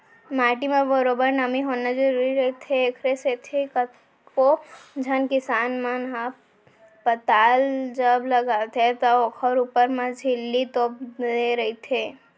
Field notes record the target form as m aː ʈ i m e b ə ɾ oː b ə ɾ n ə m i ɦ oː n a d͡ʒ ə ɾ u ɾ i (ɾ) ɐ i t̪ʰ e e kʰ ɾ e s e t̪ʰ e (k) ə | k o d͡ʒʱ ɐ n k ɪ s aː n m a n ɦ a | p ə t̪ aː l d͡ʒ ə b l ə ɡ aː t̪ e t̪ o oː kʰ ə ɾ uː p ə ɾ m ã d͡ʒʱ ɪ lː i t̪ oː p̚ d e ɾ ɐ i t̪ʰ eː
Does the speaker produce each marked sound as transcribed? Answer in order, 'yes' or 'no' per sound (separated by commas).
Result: yes, yes